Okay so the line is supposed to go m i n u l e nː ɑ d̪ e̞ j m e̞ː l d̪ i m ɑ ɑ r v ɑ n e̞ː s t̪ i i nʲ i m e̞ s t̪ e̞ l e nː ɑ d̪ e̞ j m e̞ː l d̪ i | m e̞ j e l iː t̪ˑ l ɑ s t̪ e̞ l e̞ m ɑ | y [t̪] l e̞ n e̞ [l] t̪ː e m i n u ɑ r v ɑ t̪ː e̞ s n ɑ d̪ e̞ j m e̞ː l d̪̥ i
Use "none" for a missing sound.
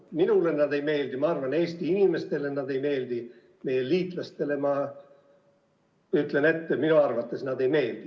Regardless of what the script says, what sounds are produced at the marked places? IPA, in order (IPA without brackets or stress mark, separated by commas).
t̪, none